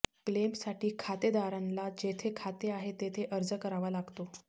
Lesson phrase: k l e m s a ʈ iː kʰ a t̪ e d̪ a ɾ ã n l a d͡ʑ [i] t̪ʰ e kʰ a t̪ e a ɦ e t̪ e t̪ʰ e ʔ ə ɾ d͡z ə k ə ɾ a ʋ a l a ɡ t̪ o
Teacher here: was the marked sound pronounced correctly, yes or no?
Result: no